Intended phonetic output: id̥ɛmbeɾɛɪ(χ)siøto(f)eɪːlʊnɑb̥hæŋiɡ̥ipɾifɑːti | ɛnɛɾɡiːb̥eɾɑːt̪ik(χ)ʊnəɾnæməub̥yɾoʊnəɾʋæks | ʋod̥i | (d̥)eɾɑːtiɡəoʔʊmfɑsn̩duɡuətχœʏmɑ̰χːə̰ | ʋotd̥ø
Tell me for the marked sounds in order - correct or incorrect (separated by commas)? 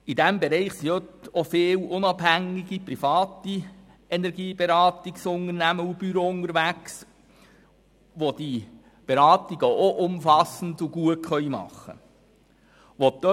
correct, correct, incorrect, incorrect